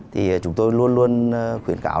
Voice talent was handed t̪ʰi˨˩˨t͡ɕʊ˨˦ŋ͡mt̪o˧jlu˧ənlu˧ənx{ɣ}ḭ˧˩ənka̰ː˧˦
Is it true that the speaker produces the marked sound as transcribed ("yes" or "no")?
no